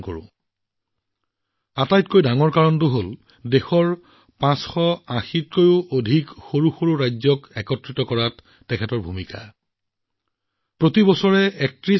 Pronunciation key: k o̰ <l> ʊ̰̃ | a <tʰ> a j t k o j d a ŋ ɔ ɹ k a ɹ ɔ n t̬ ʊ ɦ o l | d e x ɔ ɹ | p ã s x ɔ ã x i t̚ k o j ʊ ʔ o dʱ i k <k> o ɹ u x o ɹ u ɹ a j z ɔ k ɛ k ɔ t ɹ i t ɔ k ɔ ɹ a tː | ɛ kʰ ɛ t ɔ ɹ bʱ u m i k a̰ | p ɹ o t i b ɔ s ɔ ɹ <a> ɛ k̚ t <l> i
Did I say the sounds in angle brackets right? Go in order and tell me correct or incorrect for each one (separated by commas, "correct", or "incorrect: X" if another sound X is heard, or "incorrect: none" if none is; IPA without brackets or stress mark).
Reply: incorrect: ɹ, incorrect: t, incorrect: x, incorrect: ɛ, incorrect: ɹ